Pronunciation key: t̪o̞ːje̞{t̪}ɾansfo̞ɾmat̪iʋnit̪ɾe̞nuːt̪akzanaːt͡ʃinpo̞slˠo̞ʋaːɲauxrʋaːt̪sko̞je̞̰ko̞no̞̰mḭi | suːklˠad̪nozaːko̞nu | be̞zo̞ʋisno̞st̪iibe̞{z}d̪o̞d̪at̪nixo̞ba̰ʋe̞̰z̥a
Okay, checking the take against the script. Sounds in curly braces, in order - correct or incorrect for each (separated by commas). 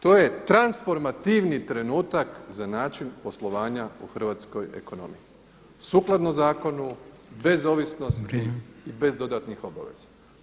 correct, correct